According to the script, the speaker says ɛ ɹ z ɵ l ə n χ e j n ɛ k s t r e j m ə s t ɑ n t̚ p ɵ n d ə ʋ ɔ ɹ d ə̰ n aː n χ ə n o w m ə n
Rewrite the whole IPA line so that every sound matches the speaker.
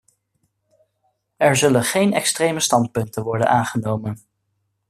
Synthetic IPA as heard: ɛ ɹ z ɵ l ə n χ e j n ɛ k s t r e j m ə s t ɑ n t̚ p ɵ n t ə ʋ ɔ ɹ d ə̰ n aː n χ ə n o w m ə n